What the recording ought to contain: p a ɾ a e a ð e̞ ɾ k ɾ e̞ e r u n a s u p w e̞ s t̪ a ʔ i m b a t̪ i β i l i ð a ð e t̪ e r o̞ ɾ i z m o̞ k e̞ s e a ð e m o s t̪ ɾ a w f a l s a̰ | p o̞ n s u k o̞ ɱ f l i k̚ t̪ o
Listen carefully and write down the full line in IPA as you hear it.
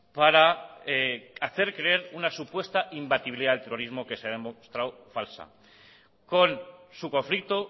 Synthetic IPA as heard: p a ɾ a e a θ e̞ ɾ k ɾ e̞ e ɾ u n a s u p w e̞ s t̪ a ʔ i m b a t̪ i β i l i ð a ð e t̪ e r o̞ ɾ i z m o̞ k e̞ s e a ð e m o s t̪ ɾ a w f a l s a̰ | k o̞ n s u k o̞ ɱ f l i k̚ t̪ o